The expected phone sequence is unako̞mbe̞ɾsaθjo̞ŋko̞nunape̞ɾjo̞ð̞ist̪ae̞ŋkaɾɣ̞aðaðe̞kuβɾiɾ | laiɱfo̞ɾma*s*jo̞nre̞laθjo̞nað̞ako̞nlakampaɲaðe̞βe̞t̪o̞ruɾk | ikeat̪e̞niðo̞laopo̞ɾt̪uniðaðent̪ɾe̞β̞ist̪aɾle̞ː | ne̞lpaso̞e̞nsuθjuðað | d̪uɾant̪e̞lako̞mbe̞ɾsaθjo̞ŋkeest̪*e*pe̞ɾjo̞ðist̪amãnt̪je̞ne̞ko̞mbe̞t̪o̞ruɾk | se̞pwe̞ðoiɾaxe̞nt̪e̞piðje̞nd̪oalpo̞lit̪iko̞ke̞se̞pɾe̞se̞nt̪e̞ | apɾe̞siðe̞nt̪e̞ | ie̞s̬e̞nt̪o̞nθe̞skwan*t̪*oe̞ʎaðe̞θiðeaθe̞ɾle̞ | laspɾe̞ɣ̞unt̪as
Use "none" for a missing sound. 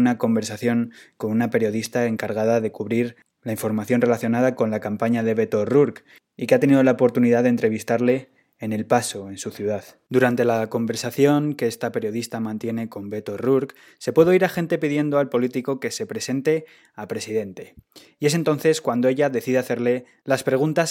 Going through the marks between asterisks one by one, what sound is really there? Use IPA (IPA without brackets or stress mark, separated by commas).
θ, a, d̪